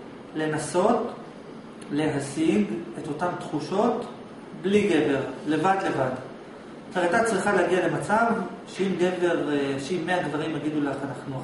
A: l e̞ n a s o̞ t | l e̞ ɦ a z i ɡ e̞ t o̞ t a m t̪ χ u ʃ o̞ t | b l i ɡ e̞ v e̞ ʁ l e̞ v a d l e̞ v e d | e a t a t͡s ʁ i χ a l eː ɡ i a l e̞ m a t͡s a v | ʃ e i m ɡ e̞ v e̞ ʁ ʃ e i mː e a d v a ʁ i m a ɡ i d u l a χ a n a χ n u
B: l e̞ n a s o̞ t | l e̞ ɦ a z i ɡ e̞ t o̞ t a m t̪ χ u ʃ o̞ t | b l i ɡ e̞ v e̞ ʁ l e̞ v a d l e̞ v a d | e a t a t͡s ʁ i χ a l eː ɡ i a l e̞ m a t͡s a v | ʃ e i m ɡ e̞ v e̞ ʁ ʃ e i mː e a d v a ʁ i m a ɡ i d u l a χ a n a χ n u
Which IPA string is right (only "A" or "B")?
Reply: B